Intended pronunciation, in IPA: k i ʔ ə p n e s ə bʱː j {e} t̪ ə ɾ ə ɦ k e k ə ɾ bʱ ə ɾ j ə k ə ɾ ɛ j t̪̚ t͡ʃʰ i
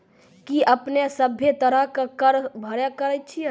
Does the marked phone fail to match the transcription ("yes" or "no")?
no